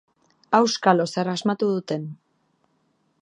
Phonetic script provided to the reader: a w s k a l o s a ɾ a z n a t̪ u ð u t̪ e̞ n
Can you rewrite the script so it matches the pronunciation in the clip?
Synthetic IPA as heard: a w s k a l o s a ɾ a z m a t̪ u ð u t̪ e̞ n